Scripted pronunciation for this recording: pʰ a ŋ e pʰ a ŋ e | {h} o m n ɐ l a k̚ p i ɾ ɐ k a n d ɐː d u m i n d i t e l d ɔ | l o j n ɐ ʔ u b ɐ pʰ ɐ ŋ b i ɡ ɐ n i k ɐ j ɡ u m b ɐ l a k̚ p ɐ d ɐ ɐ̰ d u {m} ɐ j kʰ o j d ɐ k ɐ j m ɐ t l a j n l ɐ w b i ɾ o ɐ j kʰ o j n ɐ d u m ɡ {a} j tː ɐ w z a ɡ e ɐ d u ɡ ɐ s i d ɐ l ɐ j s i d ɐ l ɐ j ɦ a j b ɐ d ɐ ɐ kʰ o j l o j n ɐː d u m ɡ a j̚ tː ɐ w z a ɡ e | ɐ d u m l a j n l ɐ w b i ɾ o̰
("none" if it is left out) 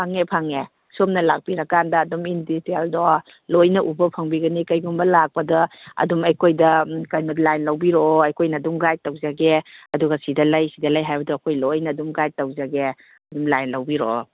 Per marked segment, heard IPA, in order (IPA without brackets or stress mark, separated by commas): s, m, a